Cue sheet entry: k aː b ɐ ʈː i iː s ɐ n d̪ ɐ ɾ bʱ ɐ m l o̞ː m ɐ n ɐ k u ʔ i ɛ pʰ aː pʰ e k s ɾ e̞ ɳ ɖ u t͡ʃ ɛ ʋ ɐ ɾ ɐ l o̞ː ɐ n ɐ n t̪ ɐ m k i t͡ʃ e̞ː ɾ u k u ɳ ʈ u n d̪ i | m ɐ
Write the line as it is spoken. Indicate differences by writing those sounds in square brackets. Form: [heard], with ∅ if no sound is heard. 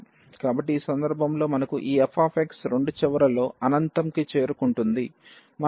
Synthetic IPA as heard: k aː b ɐ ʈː i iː s ɐ n d̪ ɐ ɾ bʱ ɐ m l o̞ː m ɐ n ɐ k u ʔ [iː] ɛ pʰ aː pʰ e k s ɾ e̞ ɳ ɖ u t͡ʃ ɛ ʋ ɐ ɾ ɐ l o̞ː ɐ n ɐ n t̪ ɐ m k i t͡ʃ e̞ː ɾ u k u ɳ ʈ u n d̪ i | m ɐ